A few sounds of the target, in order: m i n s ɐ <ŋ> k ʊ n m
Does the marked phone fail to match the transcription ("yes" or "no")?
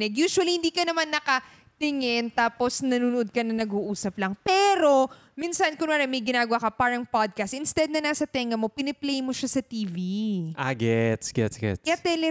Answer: yes